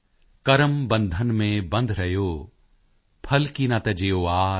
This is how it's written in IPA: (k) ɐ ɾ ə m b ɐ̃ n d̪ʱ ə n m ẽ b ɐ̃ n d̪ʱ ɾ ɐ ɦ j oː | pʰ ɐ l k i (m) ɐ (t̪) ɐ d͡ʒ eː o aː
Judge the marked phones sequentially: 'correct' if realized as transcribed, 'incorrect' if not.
correct, incorrect: n, correct

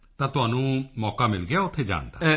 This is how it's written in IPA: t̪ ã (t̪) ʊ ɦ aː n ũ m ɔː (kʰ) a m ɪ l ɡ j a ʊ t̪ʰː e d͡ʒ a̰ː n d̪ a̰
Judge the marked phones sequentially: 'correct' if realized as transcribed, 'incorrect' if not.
correct, incorrect: k

